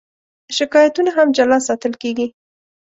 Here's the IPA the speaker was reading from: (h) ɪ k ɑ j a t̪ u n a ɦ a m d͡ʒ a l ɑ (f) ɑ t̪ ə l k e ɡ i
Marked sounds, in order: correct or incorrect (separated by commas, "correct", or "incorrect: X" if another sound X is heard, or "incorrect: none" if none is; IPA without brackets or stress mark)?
incorrect: ʃ, incorrect: s